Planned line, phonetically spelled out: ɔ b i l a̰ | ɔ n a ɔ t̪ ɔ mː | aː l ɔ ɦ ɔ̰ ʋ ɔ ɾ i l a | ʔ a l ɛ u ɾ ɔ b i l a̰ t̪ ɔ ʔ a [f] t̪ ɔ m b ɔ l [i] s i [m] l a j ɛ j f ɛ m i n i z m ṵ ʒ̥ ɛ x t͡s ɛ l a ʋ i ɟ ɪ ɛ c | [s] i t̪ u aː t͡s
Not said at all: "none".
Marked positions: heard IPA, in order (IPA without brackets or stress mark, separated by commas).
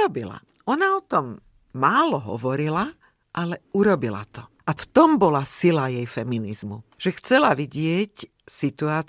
f, a, none, s